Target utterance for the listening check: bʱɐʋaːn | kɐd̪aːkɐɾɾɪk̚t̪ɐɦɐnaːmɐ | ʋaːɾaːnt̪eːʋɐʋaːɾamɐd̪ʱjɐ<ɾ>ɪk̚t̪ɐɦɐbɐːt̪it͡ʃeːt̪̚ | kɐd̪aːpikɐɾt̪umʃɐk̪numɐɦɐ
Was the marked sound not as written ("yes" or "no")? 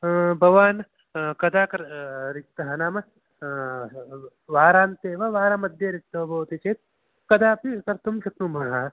no